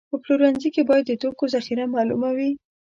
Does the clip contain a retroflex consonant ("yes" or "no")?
no